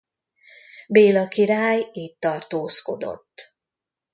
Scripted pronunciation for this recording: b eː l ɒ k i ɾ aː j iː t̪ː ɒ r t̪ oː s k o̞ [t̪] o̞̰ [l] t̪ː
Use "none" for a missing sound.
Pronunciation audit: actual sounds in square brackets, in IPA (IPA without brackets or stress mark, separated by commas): d̪, none